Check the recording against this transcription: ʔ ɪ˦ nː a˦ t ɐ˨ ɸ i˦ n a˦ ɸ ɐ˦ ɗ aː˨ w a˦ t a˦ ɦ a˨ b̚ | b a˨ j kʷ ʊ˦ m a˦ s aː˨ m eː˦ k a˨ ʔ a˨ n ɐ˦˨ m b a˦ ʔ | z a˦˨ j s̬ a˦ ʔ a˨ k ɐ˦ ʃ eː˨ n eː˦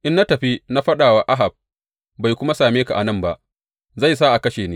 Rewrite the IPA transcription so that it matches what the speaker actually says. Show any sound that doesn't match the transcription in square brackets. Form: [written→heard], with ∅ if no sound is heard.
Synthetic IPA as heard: ʔ ɪ˦ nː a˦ t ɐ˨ ɸ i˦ n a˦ ɸ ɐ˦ ɗ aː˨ w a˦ [t→ʔ] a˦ ɦ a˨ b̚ | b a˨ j kʷ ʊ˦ m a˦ s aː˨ m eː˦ k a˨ ʔ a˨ n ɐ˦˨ m b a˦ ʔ | z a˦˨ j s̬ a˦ ʔ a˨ k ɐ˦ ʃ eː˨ n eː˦